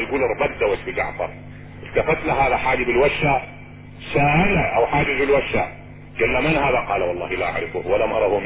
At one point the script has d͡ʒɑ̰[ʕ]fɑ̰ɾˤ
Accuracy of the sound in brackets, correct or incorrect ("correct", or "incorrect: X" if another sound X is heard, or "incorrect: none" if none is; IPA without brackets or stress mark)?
correct